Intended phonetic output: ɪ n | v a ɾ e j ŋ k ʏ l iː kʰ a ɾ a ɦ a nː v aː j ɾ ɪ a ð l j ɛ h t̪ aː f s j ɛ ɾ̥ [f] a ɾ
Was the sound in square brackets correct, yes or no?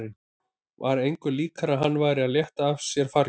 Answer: yes